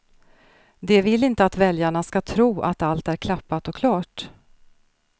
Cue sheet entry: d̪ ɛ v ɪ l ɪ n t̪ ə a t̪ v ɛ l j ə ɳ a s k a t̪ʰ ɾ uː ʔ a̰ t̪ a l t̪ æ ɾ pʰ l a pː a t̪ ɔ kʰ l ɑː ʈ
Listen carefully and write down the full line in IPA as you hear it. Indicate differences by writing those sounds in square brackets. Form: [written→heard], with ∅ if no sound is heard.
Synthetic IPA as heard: d̪ ɛ v ɪ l ɪ n t̪ ə a t̪ v ɛ l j [ə→a] ɳ a s k a t̪ʰ ɾ uː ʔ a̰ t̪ a l t̪ æ ɾ [pʰ→kʰ] l a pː a t̪ ɔ kʰ l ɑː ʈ